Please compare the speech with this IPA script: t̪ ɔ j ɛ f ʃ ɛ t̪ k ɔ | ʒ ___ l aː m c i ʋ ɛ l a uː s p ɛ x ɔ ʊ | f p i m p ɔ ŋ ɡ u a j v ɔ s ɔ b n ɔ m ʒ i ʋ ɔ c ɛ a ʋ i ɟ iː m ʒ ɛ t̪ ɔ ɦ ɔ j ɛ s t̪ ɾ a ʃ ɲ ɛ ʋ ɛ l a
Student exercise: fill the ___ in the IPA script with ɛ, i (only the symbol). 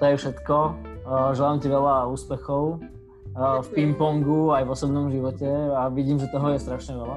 ɛ